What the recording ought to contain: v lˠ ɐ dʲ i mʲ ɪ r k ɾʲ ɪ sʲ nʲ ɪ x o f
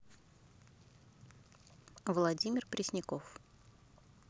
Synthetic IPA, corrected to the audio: v lˠ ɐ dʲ i mʲ ɪ r p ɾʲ ɪ sʲ nʲ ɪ k o f